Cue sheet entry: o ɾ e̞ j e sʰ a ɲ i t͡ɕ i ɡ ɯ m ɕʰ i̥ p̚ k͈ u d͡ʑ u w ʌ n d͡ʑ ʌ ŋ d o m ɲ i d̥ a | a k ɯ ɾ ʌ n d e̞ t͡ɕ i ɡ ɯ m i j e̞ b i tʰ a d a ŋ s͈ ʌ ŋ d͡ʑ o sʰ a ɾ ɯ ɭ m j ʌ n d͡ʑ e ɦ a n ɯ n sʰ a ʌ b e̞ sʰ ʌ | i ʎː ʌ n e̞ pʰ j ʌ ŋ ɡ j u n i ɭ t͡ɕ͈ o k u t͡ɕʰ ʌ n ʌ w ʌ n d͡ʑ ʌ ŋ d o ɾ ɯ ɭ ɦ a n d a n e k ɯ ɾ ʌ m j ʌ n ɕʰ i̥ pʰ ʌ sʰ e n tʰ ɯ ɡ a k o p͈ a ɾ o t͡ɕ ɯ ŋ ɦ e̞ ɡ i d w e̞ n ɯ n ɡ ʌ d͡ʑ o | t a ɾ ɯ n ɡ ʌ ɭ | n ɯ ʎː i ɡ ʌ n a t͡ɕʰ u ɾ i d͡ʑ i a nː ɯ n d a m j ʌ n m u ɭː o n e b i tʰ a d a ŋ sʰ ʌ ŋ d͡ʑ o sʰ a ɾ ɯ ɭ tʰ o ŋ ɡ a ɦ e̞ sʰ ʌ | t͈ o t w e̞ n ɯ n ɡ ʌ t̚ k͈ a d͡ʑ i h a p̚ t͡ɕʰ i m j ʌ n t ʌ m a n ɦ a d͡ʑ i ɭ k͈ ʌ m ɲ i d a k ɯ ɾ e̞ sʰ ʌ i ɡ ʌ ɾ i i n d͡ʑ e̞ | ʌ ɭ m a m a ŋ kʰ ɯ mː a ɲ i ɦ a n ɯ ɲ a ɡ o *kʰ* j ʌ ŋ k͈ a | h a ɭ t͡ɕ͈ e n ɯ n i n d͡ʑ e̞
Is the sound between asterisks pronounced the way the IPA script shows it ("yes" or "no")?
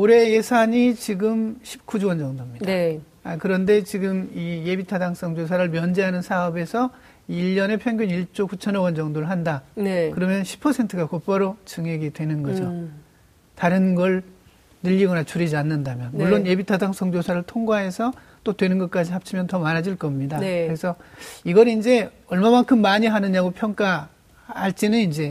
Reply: no